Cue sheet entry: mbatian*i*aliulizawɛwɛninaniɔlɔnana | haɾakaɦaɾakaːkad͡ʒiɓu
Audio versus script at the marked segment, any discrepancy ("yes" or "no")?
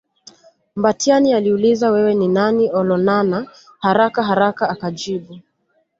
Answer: no